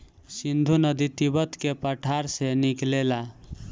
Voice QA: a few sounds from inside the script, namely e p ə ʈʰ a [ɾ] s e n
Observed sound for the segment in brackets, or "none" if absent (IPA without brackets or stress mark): ɾ